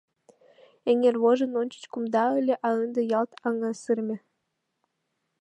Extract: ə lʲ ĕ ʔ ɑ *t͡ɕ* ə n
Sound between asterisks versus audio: incorrect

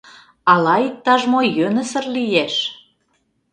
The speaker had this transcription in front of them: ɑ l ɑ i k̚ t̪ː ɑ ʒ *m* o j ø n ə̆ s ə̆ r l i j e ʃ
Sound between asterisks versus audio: correct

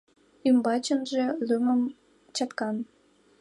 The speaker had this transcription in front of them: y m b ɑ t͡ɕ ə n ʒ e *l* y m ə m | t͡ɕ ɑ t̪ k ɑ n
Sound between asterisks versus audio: correct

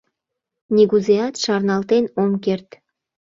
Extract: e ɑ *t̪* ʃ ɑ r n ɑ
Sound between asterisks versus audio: correct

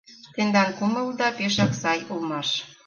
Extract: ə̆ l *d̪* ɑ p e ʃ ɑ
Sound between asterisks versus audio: correct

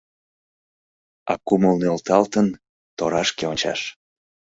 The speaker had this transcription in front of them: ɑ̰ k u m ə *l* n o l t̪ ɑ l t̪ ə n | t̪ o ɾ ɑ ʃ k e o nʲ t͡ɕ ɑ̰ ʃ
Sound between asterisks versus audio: correct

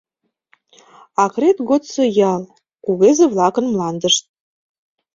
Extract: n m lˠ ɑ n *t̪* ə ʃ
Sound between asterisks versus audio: incorrect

